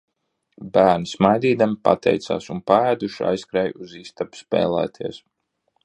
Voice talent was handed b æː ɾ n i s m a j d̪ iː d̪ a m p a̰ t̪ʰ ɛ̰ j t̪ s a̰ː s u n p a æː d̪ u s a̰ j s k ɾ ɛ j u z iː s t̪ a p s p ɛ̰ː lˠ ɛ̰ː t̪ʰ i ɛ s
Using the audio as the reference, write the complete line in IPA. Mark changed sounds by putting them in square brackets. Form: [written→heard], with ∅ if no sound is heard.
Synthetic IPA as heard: b æː ɾ n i s m a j d̪ iː d̪ a m p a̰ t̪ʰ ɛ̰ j t̪ s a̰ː s u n p a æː d̪ u [s→ʃ] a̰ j s k ɾ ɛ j u z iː s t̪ a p s p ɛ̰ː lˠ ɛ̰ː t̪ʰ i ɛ s